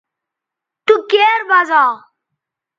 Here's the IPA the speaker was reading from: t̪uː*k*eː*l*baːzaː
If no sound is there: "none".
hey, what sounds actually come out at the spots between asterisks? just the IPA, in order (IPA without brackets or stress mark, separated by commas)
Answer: k, ɾ